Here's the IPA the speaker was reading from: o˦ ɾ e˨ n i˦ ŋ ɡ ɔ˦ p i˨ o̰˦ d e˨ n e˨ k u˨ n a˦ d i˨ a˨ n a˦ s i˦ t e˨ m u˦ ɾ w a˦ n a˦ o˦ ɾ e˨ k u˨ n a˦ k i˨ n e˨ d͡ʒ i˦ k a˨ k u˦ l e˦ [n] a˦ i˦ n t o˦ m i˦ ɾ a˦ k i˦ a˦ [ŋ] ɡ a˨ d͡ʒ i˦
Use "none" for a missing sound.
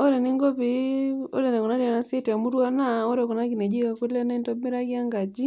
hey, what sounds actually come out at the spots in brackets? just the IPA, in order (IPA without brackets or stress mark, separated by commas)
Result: n, ŋ